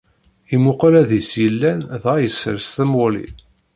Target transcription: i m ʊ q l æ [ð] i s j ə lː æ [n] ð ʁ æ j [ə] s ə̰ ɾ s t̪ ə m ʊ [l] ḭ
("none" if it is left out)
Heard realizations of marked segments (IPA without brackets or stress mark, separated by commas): ð, n, ə, l